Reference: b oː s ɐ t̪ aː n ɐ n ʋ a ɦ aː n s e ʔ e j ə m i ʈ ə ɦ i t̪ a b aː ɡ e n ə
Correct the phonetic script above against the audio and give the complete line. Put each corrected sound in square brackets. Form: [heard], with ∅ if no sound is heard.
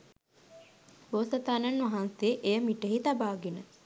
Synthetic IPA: b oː s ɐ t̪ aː n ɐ n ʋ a ɦ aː n s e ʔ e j ə m i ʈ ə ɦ i t̪ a b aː ɡ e n ə